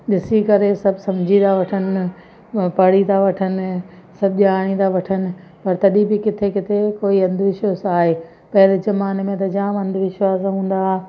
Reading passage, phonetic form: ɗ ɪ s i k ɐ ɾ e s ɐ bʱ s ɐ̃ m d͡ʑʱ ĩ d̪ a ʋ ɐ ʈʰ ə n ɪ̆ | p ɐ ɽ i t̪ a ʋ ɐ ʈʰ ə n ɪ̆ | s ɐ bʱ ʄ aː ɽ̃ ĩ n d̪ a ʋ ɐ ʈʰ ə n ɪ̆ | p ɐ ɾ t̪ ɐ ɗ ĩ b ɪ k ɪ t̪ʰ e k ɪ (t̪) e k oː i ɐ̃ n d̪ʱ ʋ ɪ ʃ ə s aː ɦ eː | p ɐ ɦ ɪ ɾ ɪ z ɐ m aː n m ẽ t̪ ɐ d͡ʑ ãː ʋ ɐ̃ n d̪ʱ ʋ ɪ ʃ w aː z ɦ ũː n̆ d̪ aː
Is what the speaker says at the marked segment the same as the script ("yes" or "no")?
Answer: no